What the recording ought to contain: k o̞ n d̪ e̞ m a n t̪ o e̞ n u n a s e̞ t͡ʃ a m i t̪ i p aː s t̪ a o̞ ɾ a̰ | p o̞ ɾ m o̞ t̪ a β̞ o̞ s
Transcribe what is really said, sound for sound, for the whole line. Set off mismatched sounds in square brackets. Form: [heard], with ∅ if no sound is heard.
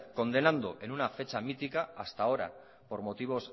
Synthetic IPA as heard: k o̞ n d̪ e̞ [n] a n [d̪] o e̞ n u n a [f] e̞ t͡ʃ a m i t̪ i [k] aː s t̪ a o̞ ɾ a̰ | p o̞ ɾ m o̞ t̪ [i] β̞ o̞ s